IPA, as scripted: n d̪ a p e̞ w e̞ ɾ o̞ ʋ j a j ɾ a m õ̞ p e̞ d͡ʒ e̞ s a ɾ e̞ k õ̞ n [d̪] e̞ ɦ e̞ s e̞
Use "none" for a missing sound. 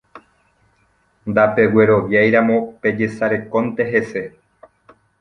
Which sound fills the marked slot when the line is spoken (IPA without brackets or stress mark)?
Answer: t̪